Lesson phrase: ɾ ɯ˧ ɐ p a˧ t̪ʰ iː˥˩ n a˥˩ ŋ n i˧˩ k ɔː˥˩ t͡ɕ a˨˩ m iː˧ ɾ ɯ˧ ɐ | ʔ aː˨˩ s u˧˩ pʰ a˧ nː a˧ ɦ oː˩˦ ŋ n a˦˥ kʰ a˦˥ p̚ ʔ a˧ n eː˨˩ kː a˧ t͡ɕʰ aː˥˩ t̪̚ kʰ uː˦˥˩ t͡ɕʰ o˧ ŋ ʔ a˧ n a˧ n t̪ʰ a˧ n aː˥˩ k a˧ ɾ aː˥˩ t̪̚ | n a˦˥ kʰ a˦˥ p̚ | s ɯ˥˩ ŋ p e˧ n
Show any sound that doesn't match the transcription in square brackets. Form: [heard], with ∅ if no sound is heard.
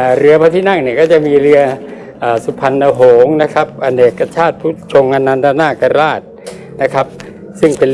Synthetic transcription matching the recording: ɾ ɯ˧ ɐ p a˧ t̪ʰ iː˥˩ n a˥˩ ŋ n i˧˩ k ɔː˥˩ t͡ɕ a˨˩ m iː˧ ɾ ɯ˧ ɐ | ʔ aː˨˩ s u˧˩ pʰ a˧ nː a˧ ɦ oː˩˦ ŋ n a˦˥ kʰ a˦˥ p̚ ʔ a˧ n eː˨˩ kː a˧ t͡ɕʰ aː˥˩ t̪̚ [pʰ] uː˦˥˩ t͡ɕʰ o˧ ŋ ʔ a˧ n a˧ n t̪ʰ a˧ n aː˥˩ k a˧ ɾ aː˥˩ t̪̚ | n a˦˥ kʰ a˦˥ p̚ | s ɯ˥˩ ŋ p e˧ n

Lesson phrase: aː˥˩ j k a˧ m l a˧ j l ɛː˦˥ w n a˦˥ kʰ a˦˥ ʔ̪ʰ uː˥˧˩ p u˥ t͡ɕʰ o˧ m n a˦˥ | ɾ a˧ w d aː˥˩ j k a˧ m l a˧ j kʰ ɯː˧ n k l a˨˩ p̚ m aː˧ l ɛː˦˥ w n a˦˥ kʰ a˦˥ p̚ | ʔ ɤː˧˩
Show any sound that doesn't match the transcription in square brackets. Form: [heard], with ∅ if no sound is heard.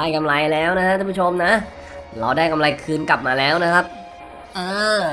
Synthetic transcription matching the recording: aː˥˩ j k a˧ m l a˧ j l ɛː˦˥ w n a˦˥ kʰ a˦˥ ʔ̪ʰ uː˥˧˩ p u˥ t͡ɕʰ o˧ m n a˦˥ | ɾ a˧ w d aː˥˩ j k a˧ m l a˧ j kʰ ɯː˧ n k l a˨˩ p̚ m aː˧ l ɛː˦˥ w n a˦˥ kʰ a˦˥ p̚ | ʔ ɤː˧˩

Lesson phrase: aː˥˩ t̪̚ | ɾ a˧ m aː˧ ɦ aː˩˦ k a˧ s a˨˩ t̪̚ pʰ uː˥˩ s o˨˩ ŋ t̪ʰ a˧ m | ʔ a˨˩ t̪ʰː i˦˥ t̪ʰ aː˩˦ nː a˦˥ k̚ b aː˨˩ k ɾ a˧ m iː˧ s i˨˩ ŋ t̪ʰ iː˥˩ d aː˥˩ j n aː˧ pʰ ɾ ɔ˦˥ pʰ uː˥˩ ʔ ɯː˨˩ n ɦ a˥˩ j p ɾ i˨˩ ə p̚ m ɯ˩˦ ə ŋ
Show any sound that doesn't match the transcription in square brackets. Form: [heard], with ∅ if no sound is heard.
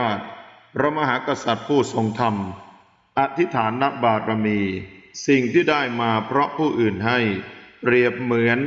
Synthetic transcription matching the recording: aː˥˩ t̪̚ | ɾ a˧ m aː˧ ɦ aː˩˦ k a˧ s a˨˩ t̪̚ pʰ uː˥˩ s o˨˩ ŋ t̪ʰ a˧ m | ʔ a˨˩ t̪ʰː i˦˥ t̪ʰ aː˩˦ nː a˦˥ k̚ b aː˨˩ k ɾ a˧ m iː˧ s i˨˩ ŋ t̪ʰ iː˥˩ d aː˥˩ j [m] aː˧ pʰ ɾ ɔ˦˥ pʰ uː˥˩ ʔ ɯː˨˩ n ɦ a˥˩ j p ɾ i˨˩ ə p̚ m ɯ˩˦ ə [n]

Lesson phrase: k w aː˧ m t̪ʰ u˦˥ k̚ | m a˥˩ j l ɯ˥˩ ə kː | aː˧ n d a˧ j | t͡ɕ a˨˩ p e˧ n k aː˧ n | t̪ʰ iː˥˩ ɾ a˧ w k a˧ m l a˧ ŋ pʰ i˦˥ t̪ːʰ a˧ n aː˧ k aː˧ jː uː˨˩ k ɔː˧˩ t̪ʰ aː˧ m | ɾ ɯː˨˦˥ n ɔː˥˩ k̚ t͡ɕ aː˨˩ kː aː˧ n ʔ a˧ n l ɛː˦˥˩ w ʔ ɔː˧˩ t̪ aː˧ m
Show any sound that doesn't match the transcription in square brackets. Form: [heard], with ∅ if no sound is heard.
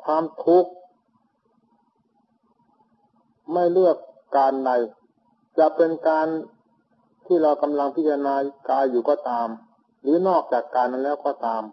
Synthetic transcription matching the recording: [kʰ] w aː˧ m t̪ʰ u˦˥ k̚ | m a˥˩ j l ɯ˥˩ ə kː | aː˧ n d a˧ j | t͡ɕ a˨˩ p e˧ n k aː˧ n | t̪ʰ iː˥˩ ɾ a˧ w k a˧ m l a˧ ŋ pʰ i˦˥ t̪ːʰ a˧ n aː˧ k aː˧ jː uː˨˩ k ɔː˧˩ [t̪] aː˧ m | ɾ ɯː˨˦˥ n ɔː˥˩ k̚ t͡ɕ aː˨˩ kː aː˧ n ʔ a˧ n l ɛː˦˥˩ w [k] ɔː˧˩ t̪ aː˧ m

